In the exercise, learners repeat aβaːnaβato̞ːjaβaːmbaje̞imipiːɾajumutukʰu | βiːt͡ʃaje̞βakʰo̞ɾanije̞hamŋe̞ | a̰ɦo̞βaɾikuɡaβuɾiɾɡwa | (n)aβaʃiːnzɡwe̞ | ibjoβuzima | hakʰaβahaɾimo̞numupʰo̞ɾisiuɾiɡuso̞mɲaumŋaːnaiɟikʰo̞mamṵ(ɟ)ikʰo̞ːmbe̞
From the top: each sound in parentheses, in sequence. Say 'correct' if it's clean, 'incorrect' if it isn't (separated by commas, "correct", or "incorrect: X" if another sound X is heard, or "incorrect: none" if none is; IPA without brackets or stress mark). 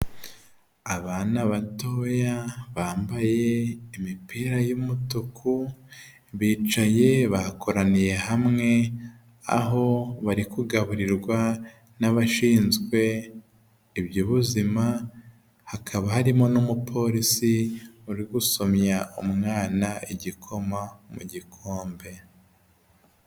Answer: correct, correct